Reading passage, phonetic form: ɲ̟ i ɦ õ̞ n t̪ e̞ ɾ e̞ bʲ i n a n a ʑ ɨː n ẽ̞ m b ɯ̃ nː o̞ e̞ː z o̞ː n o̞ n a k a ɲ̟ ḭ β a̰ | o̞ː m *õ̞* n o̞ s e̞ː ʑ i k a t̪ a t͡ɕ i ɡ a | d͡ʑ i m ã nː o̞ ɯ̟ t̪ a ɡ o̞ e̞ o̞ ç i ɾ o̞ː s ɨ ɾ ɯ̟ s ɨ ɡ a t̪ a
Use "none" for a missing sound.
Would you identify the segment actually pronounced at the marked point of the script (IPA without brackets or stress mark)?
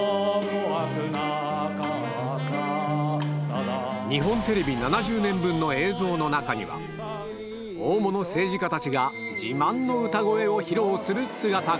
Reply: o̞